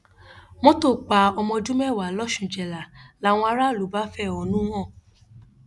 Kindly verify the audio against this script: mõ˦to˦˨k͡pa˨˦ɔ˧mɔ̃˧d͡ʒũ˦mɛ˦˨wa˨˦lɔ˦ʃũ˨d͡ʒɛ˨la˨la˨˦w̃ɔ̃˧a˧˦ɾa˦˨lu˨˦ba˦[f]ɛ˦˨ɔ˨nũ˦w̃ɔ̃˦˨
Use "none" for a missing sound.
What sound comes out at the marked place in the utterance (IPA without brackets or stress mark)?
f